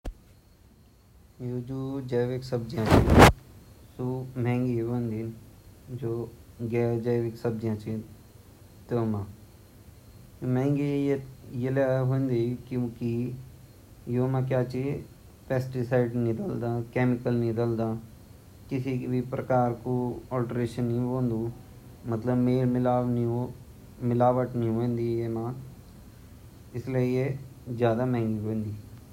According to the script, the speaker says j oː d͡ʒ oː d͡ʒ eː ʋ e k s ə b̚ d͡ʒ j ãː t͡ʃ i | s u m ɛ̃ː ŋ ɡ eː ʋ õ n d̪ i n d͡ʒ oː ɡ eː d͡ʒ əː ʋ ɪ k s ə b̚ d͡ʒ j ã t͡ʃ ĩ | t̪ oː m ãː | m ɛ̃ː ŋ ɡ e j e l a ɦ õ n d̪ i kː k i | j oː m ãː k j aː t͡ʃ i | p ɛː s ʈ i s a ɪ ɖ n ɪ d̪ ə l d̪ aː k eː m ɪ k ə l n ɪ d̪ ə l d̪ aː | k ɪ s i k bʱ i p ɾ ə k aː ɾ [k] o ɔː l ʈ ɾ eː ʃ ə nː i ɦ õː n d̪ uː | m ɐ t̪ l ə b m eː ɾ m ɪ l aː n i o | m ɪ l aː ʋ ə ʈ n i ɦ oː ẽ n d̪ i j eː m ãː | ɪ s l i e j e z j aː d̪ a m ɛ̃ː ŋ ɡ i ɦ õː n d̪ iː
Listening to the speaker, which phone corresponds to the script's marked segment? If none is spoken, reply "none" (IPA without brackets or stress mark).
k